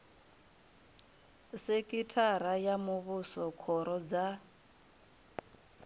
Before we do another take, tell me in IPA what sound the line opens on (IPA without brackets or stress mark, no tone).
s